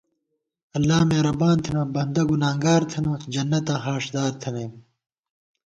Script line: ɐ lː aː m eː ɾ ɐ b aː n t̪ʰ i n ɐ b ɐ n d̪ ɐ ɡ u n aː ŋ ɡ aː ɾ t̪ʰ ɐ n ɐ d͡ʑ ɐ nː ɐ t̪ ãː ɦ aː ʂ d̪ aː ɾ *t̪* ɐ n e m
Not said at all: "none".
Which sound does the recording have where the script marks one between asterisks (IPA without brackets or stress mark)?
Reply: t̪ʰ